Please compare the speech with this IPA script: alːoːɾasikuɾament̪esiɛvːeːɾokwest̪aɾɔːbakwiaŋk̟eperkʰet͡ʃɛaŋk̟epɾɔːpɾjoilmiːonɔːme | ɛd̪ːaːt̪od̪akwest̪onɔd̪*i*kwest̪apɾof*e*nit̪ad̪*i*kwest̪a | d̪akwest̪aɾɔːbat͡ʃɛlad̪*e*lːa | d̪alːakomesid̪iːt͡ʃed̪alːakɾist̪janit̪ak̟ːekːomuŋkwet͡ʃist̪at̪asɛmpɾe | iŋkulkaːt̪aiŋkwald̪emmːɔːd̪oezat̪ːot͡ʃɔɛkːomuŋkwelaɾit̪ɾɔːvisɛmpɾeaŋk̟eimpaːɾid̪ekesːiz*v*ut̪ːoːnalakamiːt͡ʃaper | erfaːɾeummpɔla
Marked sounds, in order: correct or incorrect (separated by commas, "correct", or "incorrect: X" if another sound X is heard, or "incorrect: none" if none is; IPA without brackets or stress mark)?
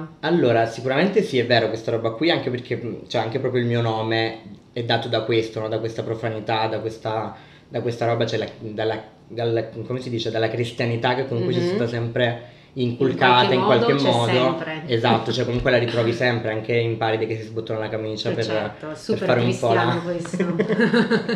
incorrect: a, incorrect: a, incorrect: a, incorrect: a, incorrect: b